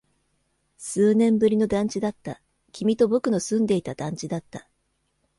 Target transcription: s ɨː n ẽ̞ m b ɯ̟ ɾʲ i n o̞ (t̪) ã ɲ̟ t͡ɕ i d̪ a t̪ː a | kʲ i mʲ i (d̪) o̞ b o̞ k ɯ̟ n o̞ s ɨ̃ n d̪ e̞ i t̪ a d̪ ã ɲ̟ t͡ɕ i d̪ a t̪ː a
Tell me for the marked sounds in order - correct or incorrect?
incorrect: d̪, incorrect: t̪

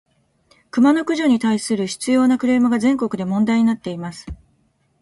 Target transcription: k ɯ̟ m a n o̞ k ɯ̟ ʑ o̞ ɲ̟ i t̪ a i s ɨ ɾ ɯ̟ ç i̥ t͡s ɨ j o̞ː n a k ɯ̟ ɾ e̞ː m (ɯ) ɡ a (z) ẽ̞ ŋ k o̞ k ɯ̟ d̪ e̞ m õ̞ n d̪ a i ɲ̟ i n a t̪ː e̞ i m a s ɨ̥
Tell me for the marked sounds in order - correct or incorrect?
correct, correct

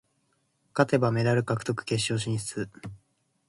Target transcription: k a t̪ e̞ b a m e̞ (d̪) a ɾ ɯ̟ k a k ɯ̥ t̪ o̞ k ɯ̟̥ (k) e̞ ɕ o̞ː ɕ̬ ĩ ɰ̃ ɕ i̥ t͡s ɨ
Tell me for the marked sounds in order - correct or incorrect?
correct, correct

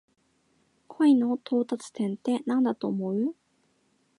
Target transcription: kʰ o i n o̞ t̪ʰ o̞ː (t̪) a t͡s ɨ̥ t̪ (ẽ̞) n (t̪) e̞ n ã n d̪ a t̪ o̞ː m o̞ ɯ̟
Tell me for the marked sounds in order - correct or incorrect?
correct, correct, correct

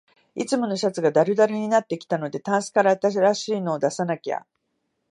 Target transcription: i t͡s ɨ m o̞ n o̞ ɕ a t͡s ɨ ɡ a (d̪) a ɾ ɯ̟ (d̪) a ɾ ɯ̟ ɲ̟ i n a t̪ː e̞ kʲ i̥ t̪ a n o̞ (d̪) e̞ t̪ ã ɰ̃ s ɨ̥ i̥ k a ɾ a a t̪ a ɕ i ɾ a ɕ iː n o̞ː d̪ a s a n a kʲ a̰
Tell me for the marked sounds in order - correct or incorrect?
correct, correct, correct

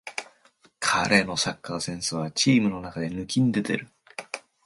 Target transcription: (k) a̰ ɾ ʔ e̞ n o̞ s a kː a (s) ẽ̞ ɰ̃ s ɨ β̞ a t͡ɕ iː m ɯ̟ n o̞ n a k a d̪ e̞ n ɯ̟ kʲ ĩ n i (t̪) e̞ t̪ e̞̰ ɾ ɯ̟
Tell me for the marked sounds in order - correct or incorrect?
incorrect: kʰ, correct, incorrect: d̪

